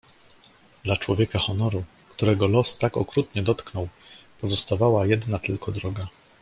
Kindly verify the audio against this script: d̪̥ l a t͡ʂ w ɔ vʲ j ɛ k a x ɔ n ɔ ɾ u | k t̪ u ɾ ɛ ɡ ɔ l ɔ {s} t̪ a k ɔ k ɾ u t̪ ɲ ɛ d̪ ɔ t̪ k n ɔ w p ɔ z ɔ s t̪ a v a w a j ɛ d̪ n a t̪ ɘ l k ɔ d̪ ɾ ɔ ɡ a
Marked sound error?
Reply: no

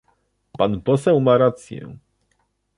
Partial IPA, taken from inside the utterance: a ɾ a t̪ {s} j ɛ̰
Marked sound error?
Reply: no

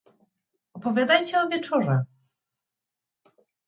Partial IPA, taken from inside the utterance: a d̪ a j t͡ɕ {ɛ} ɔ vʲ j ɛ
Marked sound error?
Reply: no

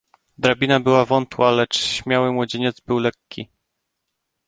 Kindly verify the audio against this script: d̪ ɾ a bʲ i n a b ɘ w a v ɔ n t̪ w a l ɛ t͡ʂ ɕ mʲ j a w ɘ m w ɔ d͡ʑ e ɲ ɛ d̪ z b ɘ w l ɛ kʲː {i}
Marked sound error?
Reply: no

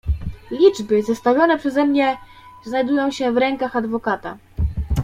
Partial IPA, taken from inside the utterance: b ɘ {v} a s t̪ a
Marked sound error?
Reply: yes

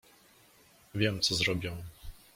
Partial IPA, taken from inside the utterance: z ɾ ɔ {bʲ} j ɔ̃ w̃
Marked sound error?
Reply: no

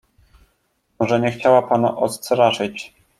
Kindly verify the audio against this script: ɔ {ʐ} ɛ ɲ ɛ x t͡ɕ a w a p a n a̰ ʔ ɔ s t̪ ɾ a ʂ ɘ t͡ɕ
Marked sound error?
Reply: no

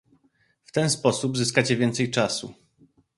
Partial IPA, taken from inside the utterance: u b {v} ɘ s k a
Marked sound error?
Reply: yes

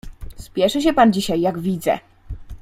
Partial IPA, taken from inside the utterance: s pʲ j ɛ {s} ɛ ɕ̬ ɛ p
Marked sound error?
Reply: yes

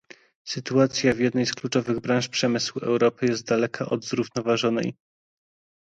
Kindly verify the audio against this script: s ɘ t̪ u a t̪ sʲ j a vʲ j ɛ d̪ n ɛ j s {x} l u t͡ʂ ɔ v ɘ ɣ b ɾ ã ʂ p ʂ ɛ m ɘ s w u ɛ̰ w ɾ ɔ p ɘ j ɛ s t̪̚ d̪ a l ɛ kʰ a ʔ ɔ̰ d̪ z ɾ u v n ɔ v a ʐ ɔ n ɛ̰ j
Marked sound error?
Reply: yes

